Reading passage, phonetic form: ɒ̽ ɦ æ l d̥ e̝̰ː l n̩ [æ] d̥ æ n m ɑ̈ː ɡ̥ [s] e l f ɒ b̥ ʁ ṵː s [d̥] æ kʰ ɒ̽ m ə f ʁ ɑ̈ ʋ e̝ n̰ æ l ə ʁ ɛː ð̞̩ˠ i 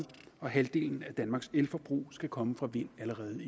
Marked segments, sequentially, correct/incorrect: correct, correct, incorrect: ɡ̥

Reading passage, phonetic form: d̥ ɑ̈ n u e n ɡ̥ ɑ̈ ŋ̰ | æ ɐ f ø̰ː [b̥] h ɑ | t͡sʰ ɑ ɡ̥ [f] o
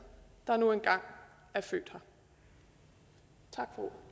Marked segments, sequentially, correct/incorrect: incorrect: d̥, correct

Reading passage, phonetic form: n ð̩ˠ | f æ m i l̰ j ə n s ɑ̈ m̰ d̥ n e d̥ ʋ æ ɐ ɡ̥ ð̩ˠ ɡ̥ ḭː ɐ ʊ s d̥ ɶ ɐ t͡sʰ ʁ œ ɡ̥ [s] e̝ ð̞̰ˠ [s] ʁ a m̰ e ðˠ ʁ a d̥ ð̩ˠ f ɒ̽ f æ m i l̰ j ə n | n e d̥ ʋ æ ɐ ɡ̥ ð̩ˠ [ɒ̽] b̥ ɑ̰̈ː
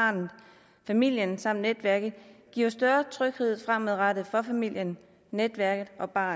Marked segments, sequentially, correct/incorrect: incorrect: h, incorrect: f, correct

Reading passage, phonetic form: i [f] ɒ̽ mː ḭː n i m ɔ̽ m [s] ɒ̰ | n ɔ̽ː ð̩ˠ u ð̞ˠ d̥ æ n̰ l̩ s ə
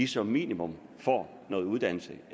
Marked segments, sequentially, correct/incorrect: incorrect: s, incorrect: f

